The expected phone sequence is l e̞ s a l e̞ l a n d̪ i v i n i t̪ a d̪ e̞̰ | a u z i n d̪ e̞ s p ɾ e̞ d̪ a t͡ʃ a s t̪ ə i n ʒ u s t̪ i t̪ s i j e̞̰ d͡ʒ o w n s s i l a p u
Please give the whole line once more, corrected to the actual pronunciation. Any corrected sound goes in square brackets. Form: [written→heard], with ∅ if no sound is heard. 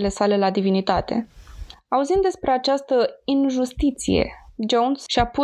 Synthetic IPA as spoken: l e̞ s a l e̞ l a [n→∅] d̪ i v i n i t̪ a [d̪→t̪] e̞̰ | a u z i n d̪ e̞ s p ɾ e̞ [d̪→∅] a t͡ʃ a s t̪ ə i n ʒ u s t̪ i t̪ s i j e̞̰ d͡ʒ o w n s [s→ʃ] i [l→∅] a p u